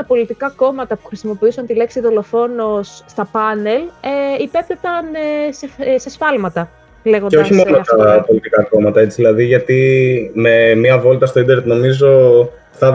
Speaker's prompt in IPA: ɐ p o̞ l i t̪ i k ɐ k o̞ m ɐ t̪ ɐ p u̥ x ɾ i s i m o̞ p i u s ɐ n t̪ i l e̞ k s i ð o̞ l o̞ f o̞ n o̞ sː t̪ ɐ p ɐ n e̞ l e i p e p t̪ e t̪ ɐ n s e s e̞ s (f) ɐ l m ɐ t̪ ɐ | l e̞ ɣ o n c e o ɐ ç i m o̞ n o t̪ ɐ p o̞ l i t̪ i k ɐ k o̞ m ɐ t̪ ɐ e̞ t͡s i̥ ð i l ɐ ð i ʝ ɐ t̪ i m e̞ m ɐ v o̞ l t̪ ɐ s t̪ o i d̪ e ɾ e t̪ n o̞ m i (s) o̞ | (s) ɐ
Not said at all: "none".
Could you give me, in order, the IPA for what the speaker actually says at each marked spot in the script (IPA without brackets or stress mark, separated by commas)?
f, z, θ